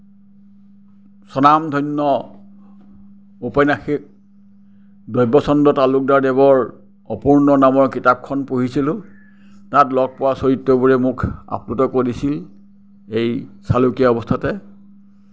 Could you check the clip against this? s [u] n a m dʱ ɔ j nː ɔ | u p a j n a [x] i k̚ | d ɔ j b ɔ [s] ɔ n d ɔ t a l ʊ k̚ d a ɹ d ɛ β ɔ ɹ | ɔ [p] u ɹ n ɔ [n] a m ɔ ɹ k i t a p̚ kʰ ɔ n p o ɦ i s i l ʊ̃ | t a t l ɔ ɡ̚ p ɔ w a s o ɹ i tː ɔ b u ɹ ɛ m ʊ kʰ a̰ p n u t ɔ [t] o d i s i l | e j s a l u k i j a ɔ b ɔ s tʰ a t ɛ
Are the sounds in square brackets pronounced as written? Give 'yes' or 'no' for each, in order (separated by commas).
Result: no, yes, yes, yes, yes, no